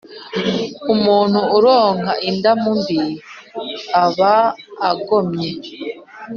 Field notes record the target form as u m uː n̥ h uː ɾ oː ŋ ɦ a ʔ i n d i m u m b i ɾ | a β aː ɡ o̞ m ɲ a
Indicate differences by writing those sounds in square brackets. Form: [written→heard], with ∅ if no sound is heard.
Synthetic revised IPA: u m uː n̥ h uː ɾ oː ŋ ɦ a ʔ i n d [i→a] m u m b i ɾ | a β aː ɡ o̞ m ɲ [a→e]